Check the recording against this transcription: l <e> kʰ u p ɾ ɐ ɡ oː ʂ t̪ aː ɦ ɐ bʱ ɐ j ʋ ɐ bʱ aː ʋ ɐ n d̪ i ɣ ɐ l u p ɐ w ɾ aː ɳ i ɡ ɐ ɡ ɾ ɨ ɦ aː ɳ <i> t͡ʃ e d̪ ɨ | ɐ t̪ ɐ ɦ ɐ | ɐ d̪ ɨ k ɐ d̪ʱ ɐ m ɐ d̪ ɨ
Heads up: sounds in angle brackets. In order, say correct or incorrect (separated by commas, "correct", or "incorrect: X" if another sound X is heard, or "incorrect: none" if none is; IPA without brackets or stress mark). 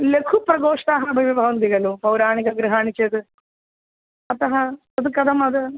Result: correct, correct